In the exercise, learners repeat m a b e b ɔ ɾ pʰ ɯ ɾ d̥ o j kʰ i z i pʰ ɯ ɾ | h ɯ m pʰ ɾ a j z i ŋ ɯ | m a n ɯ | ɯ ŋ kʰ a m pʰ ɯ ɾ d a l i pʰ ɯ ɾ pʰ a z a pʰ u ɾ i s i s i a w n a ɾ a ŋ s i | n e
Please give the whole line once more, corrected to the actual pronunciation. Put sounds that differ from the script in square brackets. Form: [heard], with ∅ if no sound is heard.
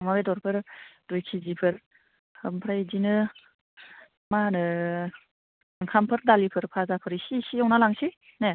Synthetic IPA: m a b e [d] ɔ ɾ pʰ ɯ ɾ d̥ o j kʰ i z i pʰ ɯ ɾ | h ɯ m pʰ ɾ a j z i [n] ɯ | m a n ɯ | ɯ ŋ kʰ a m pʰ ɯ ɾ d a l i pʰ ɯ ɾ pʰ a z a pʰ [ɯ] ɾ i s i s i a w n a [l] a ŋ s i | n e